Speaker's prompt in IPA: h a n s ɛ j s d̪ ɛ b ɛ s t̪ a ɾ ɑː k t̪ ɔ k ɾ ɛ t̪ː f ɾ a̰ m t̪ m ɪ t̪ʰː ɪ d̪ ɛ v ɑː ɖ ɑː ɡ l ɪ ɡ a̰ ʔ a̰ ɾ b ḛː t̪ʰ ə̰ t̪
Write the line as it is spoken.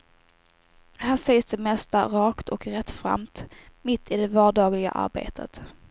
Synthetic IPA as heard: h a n s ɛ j s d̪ ɛ m ɛ s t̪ a ɾ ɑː k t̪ ɔ k ɾ ɛ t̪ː f ɾ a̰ m t̪ m ɪ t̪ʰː ɪ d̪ ɛ v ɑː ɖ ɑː ɡ l ɪ ɡ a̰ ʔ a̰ ɾ b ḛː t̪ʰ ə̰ t̪

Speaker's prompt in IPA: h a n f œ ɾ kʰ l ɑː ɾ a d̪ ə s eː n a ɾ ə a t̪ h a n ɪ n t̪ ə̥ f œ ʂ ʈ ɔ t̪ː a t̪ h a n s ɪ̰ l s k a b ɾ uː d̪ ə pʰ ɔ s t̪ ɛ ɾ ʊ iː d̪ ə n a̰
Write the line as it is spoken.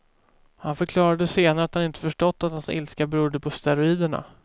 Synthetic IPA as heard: h a n f œ ɾ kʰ l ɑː ɾ a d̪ ə s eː n a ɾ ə a t̪ h a n ɪ n t̪ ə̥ f œ ʂ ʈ ɔ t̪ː a t̪ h a n s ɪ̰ l s k a b ɾ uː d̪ ə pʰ ɔ s t̪ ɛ ɾ ʊ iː d̪ ə ɳ a̰

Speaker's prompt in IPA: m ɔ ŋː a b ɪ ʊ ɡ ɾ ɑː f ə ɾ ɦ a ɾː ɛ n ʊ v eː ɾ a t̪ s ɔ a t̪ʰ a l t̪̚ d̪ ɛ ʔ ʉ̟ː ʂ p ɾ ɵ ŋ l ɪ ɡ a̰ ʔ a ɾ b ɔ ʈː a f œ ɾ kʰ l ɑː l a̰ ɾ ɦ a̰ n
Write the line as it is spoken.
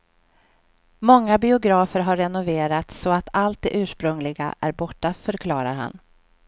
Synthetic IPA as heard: m ɔ ŋː a b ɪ ʊ ɡ ɾ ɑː f ə ɾ ɦ a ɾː ɛ n ʊ v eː ɾ a t̪ s ɔ a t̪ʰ a l t̪̚ d̪ ɛ ʔ ʉ̟ː ʂ p ɾ ɵ ŋ l ɪ ɡ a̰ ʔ æ ɾ b ɔ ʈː a f œ ɾ kʰ l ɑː ɾ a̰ ɾ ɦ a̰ n

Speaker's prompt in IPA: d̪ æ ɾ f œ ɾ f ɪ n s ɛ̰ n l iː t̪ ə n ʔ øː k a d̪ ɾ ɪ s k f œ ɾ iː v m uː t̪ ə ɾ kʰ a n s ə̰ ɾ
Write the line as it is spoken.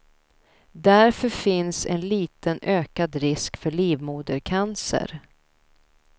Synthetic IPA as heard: d̪ æ ɾ f œ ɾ f ɪ n s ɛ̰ n l iː t̪ ə n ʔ øː k a d̪ ɾ ɪ s k f œ ɭ iː v m uː d̪ ə ɾ kʰ a n s ə̰ ɾ

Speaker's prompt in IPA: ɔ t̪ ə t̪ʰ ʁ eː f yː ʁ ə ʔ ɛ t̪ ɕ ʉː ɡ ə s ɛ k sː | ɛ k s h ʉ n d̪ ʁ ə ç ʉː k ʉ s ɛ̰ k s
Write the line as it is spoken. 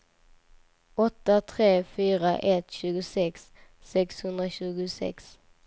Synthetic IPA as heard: ɔ t̪ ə t̪ʰ ʁ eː f yː ʁ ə ʔ ɛ t̪ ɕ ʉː ɡ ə s ɛ k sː | ɛ k s h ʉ n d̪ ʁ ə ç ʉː ɡ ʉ s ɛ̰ k s

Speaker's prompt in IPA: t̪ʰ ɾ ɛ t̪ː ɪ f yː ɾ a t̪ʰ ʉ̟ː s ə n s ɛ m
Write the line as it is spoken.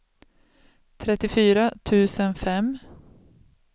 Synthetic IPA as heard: t̪ʰ ɾ ɛ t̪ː ɪ f yː ɾ a t̪ʰ ʉ̟ː s ə n f ɛ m

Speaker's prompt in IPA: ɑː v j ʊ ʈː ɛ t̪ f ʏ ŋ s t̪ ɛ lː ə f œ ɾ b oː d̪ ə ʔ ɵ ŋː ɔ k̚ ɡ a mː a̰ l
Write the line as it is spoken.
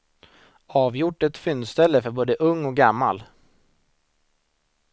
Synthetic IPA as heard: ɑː v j ʊ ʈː ɛ t̪ f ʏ n s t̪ ɛ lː ə f œ ɾ b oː d̪ ə ʔ ɵ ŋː ɔ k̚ ɡ a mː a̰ l

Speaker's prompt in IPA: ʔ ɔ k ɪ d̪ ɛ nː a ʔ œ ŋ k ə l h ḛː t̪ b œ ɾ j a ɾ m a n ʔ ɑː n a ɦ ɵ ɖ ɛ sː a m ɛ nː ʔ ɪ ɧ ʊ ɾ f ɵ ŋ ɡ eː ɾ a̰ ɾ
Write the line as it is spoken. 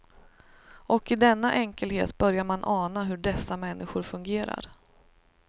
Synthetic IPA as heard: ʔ ɔ k ɪ d̪ ɛ nː a ʔ ɛ ŋ k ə l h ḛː t̪ b œ ɾ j a ɾ m a n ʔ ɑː n a ɦ ɵ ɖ ɛ sː a m ɛ nː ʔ ɪ ɧ ʊ ɾ f ɵ ŋ ɡ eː ɾ a̰ ɾ

